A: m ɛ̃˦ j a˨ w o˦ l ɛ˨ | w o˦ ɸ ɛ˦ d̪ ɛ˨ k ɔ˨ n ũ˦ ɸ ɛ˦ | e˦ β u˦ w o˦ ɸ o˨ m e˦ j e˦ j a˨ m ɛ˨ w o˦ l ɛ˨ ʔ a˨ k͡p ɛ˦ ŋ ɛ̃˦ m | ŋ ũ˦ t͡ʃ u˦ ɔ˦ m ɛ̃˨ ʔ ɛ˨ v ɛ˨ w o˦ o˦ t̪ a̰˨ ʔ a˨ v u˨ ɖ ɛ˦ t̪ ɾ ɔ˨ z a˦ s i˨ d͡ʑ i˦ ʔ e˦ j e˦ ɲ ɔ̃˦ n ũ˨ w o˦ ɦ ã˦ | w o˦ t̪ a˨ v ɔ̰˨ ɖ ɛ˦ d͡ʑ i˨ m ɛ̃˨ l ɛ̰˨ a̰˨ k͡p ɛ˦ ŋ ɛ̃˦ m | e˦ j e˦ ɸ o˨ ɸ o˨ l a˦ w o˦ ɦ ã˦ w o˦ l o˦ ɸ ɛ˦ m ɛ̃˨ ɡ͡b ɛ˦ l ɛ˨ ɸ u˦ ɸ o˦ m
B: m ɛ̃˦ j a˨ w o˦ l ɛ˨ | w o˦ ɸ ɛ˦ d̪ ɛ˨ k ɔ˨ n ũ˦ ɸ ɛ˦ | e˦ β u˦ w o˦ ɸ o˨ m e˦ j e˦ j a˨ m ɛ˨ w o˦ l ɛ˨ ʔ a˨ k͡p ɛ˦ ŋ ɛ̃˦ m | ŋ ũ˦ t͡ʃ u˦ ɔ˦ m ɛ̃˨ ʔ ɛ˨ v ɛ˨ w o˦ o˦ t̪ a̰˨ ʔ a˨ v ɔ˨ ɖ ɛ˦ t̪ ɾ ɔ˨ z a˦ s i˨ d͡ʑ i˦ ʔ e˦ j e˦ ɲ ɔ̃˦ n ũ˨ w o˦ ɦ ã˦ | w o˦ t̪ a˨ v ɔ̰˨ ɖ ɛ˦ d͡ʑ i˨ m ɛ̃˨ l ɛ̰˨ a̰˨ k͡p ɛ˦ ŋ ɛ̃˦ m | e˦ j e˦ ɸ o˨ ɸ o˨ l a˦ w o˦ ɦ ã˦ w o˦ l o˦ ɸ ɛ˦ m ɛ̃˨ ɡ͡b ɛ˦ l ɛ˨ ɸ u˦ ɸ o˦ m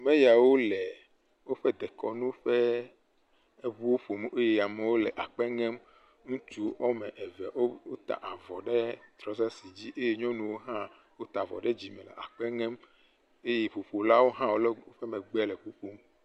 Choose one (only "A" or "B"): B